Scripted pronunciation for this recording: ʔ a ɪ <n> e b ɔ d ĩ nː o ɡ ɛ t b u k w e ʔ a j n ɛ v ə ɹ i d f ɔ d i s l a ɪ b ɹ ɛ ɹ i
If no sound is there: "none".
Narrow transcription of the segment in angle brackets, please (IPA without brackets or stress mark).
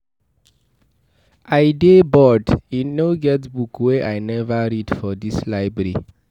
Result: d